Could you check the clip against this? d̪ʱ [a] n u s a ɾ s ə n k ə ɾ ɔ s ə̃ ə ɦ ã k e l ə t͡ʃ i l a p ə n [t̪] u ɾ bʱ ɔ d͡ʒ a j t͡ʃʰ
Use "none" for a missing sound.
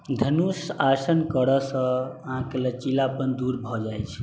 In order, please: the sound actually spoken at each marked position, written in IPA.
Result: ə, d̪

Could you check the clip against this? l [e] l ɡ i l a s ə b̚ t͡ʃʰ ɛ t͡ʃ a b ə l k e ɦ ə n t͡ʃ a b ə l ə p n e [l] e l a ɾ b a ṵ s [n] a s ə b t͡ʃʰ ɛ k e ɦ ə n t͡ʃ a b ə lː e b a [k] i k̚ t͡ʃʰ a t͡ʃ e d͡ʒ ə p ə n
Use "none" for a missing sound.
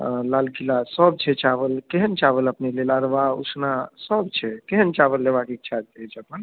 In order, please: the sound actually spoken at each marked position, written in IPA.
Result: a, l, n, k

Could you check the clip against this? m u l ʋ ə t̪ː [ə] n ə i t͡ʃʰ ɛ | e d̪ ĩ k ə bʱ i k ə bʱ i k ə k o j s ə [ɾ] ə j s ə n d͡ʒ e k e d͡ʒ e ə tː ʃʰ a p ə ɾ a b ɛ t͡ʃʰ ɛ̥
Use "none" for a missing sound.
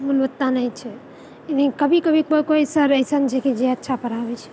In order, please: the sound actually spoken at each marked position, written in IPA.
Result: a, ɾ

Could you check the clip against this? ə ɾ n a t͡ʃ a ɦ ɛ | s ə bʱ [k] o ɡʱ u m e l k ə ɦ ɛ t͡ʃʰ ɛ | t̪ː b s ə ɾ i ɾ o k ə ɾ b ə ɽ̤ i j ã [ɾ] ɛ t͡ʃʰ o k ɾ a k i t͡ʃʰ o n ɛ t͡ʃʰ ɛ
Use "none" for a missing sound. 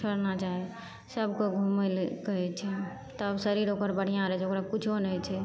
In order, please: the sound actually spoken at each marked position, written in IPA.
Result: k, ɾ

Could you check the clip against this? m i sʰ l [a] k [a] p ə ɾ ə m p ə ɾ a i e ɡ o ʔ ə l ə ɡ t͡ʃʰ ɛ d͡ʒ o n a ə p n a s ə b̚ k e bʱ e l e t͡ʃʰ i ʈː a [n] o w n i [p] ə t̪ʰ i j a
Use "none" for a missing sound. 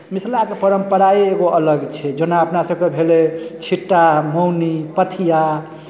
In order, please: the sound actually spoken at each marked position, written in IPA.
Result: a, e, m, p

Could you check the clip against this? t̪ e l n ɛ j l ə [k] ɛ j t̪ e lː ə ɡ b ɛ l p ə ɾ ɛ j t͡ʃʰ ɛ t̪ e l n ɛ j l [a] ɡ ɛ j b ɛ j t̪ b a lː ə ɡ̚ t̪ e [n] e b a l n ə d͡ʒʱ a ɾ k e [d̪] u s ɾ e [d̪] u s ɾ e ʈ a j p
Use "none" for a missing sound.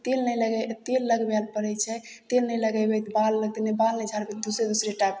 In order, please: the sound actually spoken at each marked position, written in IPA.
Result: ɡ, ə, n, d̪, d̪

